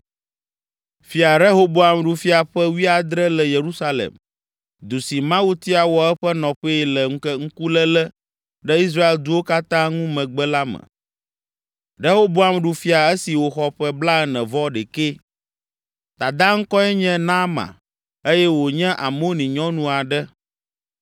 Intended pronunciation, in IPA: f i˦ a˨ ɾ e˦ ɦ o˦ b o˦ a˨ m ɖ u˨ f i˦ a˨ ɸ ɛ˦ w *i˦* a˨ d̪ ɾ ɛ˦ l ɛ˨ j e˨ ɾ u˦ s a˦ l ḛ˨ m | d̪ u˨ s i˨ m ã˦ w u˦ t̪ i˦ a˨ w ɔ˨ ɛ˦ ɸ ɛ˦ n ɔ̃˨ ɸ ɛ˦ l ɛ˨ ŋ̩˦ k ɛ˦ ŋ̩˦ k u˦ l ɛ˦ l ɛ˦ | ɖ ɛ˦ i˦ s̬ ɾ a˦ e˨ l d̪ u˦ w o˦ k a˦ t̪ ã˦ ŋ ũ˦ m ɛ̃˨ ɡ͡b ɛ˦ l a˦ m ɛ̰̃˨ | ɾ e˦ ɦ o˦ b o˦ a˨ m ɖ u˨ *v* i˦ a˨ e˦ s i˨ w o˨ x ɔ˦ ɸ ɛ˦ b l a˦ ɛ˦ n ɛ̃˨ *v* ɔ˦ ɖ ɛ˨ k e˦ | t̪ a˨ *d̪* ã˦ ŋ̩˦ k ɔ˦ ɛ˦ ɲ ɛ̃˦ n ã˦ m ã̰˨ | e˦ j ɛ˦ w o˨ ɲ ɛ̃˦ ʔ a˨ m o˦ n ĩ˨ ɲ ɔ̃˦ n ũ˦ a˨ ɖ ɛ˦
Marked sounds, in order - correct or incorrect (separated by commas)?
correct, incorrect, correct, correct